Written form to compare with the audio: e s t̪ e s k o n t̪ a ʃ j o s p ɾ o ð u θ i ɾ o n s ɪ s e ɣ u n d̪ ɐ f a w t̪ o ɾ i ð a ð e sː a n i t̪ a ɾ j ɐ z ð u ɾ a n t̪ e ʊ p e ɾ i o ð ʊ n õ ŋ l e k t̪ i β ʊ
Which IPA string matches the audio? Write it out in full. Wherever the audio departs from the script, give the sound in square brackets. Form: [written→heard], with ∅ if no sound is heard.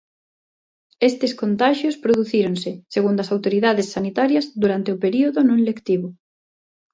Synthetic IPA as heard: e s t̪ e s k o n t̪ a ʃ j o s p ɾ o ð u θ i ɾ o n s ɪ s e ɣ u n d̪ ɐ [f→s] a w t̪ o ɾ i ð a ð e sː a n i t̪ a ɾ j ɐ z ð u ɾ a n t̪ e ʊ p e ɾ i o ð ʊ n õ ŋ l e k t̪ i β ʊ